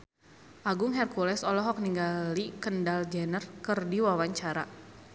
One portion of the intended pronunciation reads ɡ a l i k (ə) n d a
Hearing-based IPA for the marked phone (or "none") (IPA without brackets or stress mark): ə